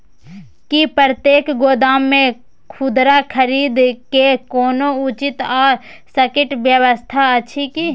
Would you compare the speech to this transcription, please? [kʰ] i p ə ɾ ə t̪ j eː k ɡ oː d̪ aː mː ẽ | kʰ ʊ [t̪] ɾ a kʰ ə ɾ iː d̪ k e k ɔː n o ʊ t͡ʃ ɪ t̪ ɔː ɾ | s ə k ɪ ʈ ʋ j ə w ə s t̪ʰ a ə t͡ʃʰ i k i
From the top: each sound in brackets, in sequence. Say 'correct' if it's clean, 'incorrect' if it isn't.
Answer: incorrect, incorrect

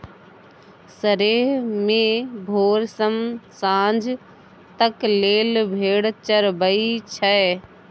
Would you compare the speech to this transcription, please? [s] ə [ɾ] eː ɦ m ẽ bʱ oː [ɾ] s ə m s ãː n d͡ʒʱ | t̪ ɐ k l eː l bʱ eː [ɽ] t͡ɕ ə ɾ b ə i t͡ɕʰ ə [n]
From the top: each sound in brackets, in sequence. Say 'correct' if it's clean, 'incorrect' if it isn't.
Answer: correct, correct, correct, correct, incorrect

